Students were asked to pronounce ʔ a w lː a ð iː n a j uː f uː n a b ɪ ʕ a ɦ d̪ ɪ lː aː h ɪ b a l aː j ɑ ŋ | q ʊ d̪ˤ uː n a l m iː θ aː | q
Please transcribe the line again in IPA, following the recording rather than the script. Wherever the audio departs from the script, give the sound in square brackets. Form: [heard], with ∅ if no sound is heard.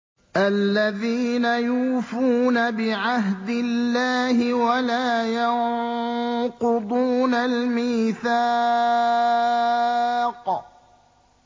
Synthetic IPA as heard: ʔ a [∅] lː a ð iː n a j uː f uː n a b ɪ ʕ a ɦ d̪ ɪ lː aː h ɪ [w] a l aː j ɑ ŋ | q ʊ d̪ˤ uː n a l m iː θ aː | q